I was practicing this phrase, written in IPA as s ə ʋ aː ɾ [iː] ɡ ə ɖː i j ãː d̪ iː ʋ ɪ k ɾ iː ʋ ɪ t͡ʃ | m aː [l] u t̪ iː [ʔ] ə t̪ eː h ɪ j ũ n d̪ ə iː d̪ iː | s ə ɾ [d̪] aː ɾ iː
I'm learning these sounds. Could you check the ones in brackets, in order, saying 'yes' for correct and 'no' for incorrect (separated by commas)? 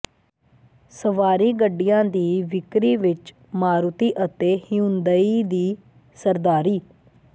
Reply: yes, no, yes, yes